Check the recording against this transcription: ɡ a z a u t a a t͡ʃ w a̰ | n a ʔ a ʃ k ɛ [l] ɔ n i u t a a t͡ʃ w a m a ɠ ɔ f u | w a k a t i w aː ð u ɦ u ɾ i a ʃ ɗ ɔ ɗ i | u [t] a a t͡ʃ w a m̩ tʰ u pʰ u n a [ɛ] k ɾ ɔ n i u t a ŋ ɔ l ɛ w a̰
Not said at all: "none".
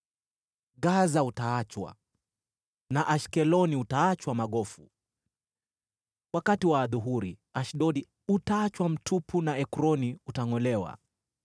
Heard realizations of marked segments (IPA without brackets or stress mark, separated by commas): l, t, ɛ